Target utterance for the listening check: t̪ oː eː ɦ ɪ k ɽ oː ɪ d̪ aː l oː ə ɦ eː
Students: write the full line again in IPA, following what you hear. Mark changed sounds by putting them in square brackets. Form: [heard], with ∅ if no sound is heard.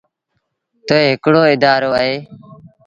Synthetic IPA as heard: t̪ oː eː ɦ ɪ k ɽ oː ɪ d̪ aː [ɾ] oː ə ɦ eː